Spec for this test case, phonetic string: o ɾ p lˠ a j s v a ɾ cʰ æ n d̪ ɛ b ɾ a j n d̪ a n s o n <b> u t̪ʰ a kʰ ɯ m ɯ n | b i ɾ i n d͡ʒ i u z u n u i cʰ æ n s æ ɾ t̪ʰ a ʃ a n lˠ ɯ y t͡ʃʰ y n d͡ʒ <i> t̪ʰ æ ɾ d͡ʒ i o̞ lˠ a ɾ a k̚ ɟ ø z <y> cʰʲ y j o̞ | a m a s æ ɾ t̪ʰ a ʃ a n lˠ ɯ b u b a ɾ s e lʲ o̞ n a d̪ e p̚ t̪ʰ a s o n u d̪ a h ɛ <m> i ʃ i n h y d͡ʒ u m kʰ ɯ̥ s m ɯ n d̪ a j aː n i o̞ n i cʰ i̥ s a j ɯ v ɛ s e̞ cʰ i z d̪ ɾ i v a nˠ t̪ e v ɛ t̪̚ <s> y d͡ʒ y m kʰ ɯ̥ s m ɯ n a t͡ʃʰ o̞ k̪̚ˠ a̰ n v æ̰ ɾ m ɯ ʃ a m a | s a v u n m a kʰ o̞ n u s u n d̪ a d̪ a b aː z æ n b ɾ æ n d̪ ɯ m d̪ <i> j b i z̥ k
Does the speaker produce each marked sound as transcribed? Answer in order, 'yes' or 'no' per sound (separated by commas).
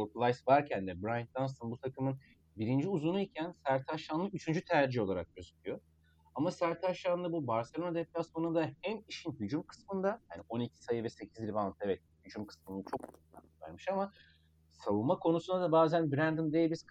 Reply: yes, no, yes, yes, no, no